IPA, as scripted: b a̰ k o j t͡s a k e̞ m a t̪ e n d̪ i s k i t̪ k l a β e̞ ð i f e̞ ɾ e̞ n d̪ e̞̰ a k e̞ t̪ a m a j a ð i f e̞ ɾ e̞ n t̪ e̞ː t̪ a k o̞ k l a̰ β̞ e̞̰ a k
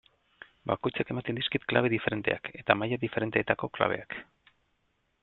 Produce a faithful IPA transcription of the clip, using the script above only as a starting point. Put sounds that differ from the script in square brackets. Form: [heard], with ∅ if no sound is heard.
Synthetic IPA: b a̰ k o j t͡s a k e̞ m a t̪ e n d̪ i s k i t̪ k l a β e̞ ð i f e̞ ɾ e̞ n [t̪] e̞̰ a k e̞ t̪ a m a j a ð i f e̞ ɾ e̞ n t̪ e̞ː t̪ a k o̞ k l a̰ β̞ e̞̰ a k